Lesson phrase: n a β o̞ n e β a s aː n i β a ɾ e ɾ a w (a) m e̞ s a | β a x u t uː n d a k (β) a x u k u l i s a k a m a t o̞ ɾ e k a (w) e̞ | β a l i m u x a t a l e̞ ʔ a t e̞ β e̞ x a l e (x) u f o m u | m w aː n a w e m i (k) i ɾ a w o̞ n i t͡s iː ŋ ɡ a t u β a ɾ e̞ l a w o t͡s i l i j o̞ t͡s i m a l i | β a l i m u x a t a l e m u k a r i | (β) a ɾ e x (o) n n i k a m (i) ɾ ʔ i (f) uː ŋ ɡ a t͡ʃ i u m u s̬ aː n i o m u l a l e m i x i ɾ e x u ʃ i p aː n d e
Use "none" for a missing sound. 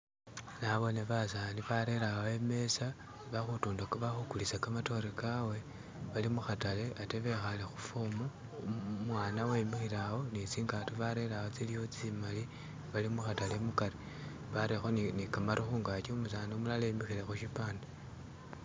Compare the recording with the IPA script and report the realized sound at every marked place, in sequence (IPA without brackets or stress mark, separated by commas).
e, β, w, x, x, β, o, a, x